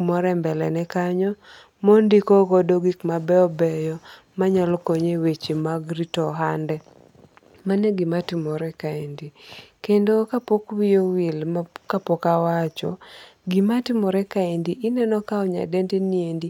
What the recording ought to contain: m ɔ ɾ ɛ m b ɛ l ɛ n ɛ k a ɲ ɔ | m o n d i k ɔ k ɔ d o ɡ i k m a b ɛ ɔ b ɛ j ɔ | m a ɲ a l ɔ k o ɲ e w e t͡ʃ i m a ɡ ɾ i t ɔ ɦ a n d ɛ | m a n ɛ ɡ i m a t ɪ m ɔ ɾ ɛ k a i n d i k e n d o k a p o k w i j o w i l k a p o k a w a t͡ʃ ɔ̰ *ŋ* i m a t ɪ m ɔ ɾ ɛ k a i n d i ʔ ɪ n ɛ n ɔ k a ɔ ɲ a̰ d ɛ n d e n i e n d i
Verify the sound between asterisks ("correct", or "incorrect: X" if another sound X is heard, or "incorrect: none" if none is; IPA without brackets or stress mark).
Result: incorrect: ɡ